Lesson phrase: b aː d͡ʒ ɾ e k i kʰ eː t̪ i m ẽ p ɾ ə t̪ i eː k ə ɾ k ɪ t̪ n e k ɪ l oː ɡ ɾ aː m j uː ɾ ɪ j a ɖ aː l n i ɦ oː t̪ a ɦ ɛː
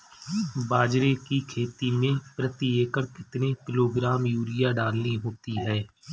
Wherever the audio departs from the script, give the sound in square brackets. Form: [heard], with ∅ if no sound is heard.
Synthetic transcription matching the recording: b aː d͡ʒ ɾ e k i kʰ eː t̪ i m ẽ p ɾ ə t̪ i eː k ə ɾ k ɪ t̪ n e k ɪ l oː ɡ ɾ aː m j uː ɾ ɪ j a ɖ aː l n i ɦ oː t̪ [i] ɦ ɛː